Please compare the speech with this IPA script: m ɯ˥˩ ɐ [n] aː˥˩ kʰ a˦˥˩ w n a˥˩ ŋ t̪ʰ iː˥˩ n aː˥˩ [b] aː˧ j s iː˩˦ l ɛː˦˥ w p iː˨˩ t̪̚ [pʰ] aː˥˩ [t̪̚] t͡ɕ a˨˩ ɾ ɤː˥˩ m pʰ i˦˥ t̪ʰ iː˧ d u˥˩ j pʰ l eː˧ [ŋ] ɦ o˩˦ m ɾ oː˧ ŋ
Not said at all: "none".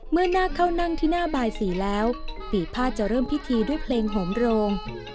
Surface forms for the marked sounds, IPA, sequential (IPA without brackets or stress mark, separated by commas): n, b, pʰ, t̪̚, ŋ